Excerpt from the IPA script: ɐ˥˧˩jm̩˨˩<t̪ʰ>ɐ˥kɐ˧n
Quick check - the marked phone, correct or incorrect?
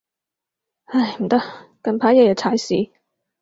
incorrect